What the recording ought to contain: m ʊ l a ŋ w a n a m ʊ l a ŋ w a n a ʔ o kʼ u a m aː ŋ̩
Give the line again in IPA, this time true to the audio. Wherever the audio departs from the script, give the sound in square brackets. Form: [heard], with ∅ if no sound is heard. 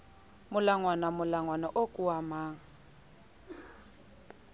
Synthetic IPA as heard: m ʊ l a ŋ w a n a m ʊ l a ŋ w a n a ʔ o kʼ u a m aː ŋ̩